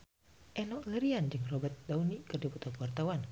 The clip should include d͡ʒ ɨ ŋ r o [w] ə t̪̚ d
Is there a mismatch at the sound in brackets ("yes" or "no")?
yes